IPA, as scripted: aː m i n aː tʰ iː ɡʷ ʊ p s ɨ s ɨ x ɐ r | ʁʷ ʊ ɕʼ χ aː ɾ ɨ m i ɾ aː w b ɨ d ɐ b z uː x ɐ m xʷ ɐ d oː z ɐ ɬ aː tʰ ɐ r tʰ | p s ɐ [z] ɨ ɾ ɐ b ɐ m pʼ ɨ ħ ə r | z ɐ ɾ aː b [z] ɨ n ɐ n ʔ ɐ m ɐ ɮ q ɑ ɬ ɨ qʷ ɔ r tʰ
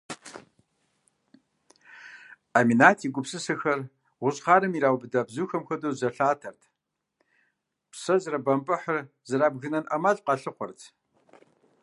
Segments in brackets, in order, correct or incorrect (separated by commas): correct, incorrect